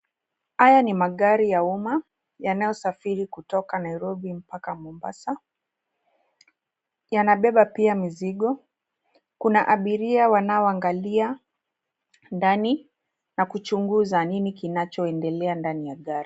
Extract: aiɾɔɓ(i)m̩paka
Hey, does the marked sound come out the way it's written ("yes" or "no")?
yes